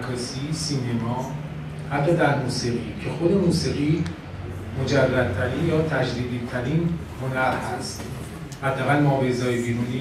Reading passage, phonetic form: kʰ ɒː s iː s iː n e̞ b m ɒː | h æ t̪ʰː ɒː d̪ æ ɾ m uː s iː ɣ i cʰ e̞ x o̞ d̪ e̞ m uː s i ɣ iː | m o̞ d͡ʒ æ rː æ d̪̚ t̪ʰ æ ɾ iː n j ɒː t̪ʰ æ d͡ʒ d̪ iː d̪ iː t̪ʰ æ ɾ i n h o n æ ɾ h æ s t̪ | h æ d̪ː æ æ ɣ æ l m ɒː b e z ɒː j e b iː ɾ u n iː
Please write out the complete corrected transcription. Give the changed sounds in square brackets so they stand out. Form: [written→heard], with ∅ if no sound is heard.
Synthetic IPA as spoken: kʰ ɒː s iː s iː n e̞ [b→∅] m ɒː | h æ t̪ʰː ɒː d̪ æ ɾ m uː s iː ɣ i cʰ e̞ x o̞ d̪ e̞ m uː s i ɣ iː | m o̞ d͡ʒ æ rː æ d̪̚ t̪ʰ æ ɾ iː n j ɒː t̪ʰ æ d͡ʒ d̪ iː d̪ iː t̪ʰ æ ɾ i n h o n æ ɾ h æ s t̪ | h æ d̪ː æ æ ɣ æ l m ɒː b e z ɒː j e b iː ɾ u n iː